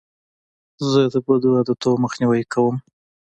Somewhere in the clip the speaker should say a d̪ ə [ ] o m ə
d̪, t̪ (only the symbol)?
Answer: t̪